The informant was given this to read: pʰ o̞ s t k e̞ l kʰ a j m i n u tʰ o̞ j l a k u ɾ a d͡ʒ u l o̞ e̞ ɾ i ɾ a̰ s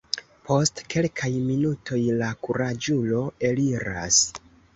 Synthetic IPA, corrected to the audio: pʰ o̞ s t k e̞ l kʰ a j m i n u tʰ o̞ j l a k u ɾ a d͡ʒ u l o̞ e̞ l i ɾ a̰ s